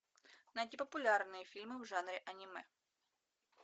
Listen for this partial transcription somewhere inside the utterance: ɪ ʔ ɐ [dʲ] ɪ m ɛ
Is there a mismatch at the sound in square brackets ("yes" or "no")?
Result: yes